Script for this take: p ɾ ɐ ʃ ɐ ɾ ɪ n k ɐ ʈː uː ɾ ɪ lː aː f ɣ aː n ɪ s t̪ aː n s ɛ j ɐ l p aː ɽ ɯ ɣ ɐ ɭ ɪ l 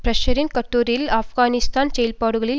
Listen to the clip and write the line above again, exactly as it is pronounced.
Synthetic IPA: p ɾ ɐ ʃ ɐ ɾ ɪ n k ɐ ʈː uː ɾ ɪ l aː f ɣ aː n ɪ s t̪ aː n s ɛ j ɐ l p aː ɽ ɯ ɣ ɐ ɭ ɪ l

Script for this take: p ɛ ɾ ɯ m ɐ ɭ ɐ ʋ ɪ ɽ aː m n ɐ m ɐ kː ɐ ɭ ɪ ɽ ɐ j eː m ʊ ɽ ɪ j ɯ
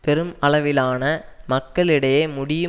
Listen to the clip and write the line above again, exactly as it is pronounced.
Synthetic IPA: p ɛ ɾ ɯ m ɐ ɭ ɐ ʋ ɪ l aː n ɐ m ɐ kː ɐ ɭ ɪ ɽ ɐ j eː m ʊ ɽ ɪ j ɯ

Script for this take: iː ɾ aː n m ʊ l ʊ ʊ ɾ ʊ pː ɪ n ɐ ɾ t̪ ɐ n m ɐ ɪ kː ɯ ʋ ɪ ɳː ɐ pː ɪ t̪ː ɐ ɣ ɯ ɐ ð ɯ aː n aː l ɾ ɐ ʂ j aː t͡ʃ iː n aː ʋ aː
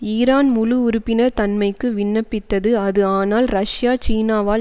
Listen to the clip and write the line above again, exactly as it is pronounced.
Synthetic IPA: iː ɾ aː n m ʊ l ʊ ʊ ɾ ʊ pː ɪ n ɐ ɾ t̪ ɐ n m ɐ ɪ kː ɯ ʋ ɪ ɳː ɐ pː ɪ t̪ː ɐ ð ɯ ɐ ð ɯ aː n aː l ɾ ɐ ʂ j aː t͡ʃ iː n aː ʋ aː

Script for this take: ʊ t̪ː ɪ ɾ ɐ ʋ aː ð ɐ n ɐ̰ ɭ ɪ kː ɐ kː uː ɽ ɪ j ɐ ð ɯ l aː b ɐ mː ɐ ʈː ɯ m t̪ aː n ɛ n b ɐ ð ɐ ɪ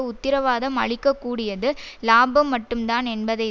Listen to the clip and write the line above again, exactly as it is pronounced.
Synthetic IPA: ʊ t̪ː ɪ ɾ ɐ ʋ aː ð ɐ m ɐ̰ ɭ ɪ kː ɐ kː uː ɽ ɪ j ɐ ð ɯ l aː b ɐ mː ɐ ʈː ɯ m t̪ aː n ɛ n b ɐ ð ɐ ɪ

